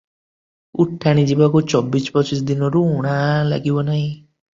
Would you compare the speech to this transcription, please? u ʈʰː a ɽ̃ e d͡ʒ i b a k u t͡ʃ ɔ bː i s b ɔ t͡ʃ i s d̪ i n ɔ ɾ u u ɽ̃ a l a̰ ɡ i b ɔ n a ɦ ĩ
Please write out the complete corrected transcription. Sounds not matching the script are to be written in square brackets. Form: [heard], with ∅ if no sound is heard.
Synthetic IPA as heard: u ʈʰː a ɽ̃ [i] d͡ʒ i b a k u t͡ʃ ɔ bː i s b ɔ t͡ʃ i s d̪ i n ɔ ɾ u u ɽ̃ a l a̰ ɡ i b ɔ n a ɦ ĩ